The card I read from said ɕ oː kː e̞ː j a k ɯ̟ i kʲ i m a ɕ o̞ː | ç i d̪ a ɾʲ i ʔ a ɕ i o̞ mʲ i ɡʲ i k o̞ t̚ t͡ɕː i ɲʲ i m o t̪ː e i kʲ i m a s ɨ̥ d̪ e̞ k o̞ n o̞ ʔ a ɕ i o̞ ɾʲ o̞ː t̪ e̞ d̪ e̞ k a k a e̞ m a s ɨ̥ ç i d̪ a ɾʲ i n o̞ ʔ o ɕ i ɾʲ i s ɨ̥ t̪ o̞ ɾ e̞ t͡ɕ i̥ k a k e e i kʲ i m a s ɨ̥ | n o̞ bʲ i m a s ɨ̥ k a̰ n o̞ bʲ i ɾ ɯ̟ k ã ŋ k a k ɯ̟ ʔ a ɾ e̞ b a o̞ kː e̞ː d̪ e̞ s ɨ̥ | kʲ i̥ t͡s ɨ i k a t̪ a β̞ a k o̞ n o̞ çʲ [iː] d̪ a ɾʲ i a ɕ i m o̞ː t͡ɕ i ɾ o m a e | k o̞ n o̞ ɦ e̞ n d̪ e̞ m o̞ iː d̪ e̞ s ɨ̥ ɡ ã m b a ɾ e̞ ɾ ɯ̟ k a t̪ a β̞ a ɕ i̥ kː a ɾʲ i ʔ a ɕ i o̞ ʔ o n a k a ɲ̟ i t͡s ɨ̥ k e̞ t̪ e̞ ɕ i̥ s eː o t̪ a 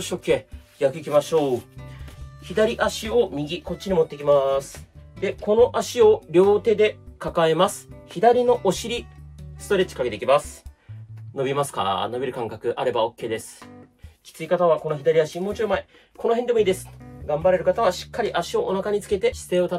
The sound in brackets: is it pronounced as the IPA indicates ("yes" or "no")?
no